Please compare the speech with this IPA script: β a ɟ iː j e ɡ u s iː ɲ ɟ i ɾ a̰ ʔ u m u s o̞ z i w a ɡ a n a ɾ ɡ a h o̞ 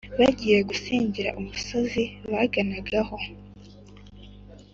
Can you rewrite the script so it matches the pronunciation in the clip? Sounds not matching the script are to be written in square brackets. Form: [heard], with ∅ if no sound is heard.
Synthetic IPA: β a ɟ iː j e ɡ u s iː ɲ ɟ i ɾ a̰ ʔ u m u s o̞ z i [β] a ɡ a n a [∅] ɡ a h o̞